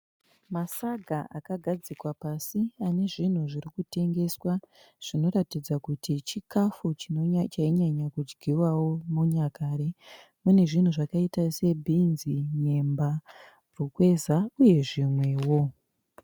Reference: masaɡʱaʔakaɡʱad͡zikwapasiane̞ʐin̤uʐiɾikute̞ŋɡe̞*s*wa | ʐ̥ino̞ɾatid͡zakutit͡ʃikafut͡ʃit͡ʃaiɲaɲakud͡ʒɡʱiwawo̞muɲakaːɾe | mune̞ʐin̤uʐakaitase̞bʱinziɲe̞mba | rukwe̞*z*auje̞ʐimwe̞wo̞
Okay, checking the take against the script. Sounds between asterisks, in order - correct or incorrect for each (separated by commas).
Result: correct, correct